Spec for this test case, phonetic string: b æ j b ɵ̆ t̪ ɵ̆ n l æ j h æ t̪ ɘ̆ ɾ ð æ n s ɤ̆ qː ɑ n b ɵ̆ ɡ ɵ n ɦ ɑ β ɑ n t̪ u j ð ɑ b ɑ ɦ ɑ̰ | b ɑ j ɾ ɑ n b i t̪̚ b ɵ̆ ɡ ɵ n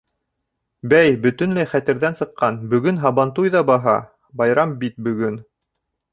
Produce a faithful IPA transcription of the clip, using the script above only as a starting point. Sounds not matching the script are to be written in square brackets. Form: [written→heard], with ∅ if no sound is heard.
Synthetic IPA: b æ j b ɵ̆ t̪ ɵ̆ n l æ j [h→χ] æ t̪ ɘ̆ ɾ ð æ n s ɤ̆ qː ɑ n b ɵ̆ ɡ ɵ n ɦ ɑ β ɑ n t̪ u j ð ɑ b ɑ ɦ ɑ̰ | b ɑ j ɾ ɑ [n→m] b i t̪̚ b ɵ̆ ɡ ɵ n

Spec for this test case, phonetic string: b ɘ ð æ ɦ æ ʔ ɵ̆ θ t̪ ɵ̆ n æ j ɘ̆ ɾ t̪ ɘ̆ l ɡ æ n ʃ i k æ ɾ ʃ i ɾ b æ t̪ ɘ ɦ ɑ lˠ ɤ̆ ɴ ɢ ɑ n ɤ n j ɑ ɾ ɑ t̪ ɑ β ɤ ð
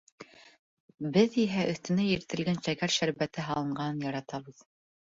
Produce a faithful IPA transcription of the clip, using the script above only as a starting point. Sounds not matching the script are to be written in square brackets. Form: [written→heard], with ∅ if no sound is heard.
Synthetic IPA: b ɘ ð [æ→i] ɦ æ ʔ ɵ̆ θ t̪ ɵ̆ n æ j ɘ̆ ɾ t̪ ɘ̆ l ɡ æ n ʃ [i→æ] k æ ɾ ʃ [i→æ] ɾ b æ t̪ ɘ ɦ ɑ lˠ ɤ̆ ɴ ɢ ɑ n ɤ n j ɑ ɾ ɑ t̪ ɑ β ɤ ð

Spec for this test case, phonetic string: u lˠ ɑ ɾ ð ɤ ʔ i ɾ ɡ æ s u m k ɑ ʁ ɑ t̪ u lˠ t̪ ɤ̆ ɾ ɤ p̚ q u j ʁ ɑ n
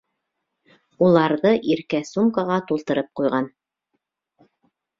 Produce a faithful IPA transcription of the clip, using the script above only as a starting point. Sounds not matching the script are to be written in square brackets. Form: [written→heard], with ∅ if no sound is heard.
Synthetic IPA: u lˠ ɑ ɾ ð ɤ ʔ i ɾ [ɡ→k] æ s u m k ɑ ʁ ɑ t̪ u lˠ t̪ ɤ̆ ɾ ɤ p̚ q u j ʁ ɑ n

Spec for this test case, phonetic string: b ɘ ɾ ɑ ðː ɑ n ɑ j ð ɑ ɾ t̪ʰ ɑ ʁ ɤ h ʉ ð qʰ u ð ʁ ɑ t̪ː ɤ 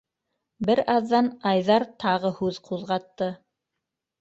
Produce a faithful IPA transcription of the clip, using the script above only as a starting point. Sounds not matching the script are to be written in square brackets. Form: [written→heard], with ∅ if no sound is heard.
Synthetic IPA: b ɘ ɾ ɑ ðː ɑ n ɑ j ð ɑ ɾ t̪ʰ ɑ ʁ ɤ h ʉ ð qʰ u ð ʁ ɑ t̪ː ɤ

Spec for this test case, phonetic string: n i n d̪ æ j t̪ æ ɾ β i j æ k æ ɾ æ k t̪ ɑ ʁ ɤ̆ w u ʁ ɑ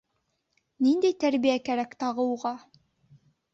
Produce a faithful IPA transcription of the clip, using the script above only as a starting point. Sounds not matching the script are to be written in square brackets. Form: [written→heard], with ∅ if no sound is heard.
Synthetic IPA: n i n d̪ æ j t̪ æ ɾ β i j æ k æ ɾ æ k t̪ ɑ ʁ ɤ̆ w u ʁ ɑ

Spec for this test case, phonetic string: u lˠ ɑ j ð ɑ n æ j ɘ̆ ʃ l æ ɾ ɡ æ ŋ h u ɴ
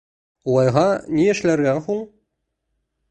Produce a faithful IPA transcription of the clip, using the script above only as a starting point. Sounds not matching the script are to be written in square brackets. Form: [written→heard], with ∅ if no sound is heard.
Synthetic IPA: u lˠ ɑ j [ð→ʁ] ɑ n [æ→i] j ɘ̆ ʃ l æ ɾ ɡ æ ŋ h u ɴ

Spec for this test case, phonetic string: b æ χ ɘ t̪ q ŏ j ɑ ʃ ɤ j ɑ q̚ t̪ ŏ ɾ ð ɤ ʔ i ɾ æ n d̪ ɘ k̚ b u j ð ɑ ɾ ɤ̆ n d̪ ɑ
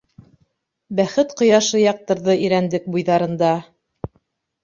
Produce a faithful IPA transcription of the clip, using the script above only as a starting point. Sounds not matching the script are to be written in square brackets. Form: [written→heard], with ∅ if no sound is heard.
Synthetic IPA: b æ χ ɘ t̪ q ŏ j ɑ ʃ ɤ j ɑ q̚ t̪ [ŏ→ɤ̆] ɾ ð ɤ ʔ i ɾ æ n d̪ ɘ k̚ b u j ð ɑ ɾ ɤ̆ n d̪ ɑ

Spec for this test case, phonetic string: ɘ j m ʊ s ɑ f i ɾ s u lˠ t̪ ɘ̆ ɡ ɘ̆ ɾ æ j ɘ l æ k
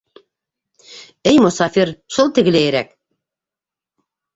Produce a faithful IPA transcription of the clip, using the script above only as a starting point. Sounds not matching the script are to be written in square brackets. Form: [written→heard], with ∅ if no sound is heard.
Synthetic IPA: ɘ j m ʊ s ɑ f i ɾ [s→ʃ] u lˠ t̪ ɘ̆ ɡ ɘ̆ [ɾ→l] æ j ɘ [l→ɾ] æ k

